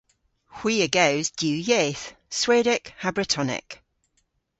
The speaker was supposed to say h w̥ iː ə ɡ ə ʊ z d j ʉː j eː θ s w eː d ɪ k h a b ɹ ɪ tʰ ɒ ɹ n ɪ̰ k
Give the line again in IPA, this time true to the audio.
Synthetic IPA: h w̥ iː ə ɡ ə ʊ z d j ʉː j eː θ s w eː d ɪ k h a b ɹ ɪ tʰ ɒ n ɪ̰ k